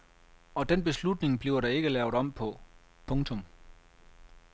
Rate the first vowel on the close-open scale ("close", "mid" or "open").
open